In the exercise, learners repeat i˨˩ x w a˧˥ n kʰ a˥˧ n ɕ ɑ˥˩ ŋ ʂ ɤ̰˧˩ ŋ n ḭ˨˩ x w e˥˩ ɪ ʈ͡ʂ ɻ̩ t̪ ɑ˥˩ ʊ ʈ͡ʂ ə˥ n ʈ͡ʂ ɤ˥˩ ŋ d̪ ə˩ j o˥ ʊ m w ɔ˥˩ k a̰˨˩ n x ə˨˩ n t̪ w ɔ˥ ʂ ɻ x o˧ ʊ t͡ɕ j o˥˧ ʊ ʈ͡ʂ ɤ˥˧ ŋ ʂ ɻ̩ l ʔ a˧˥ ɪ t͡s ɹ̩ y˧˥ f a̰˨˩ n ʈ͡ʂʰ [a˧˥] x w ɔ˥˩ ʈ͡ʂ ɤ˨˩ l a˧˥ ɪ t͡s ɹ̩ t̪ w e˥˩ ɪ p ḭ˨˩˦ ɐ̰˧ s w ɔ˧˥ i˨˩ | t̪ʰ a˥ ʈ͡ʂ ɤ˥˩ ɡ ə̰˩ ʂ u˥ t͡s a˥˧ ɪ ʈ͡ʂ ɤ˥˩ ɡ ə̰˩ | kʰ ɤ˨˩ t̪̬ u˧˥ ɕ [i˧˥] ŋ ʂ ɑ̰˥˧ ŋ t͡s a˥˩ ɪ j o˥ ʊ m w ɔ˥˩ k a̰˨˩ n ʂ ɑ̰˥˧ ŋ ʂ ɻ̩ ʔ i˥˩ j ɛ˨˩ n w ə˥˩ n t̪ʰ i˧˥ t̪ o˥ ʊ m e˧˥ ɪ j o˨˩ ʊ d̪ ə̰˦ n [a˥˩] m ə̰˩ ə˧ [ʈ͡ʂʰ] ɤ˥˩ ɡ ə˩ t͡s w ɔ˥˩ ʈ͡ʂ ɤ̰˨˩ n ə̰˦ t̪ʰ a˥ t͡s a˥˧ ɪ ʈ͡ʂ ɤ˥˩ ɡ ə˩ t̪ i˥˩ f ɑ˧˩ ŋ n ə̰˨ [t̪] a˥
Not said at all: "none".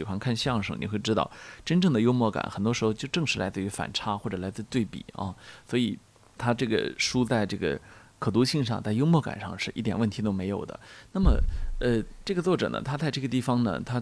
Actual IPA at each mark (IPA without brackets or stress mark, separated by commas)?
a˥, i˥˧, a˥˩, ʈ͡ʂ, t̪ʰ